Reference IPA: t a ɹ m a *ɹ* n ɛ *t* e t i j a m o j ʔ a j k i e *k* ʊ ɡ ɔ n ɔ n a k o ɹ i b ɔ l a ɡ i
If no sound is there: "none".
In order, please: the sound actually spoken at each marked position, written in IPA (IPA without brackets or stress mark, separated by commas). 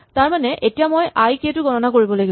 none, ʔ, t